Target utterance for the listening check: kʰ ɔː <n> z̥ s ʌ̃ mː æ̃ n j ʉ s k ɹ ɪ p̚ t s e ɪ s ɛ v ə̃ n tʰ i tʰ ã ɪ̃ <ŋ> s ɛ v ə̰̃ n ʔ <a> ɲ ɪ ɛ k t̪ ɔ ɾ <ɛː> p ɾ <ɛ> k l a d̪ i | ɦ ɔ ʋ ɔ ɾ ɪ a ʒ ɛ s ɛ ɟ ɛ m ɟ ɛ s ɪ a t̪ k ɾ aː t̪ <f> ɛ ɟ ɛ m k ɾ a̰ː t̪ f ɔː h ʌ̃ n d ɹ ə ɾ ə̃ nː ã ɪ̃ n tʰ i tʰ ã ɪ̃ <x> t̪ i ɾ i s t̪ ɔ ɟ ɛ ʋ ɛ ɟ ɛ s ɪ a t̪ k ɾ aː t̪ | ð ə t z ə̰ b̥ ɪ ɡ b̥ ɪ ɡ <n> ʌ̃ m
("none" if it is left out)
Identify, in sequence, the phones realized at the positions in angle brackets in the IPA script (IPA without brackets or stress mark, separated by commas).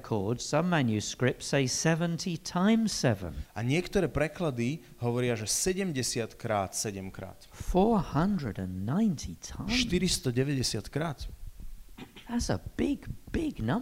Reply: d, m, a, ɛː, ɛ, s, ʃ, n